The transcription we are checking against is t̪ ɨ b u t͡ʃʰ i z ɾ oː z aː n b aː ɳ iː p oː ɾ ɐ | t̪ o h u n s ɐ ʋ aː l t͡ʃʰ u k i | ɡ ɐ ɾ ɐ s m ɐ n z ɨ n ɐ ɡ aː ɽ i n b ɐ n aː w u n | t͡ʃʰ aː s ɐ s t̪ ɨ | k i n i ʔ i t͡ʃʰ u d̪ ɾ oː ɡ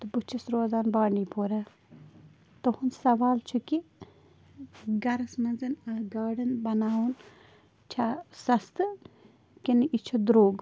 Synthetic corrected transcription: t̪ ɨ b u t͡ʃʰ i s ɾ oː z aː n b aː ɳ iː p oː ɾ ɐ | t̪ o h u n s ɐ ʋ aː l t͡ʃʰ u k i | ɡ ɐ ɾ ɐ s m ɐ n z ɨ n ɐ ɡ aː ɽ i n b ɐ n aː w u n | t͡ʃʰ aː s ɐ s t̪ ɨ | k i n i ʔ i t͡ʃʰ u d̪ ɾ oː ɡ